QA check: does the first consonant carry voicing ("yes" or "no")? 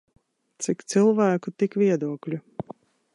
no